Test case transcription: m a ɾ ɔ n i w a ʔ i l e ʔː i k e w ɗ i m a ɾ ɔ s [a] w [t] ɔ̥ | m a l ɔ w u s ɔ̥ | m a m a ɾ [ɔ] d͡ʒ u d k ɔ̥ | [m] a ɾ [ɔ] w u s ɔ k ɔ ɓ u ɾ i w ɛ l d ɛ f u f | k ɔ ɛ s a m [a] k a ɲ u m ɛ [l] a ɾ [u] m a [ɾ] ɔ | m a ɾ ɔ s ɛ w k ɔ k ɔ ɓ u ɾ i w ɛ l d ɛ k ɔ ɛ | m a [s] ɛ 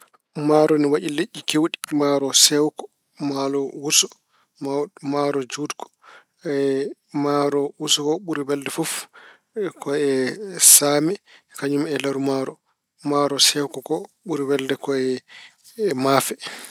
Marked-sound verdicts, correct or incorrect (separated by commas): incorrect, incorrect, correct, correct, correct, incorrect, correct, correct, correct, incorrect